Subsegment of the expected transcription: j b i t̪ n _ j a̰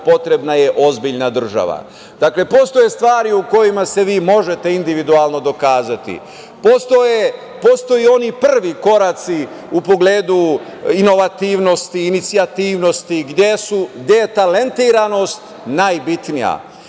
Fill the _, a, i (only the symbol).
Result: i